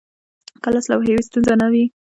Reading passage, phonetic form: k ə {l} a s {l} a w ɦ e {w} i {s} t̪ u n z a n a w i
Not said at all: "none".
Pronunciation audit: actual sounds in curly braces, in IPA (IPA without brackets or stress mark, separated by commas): l, l, w, s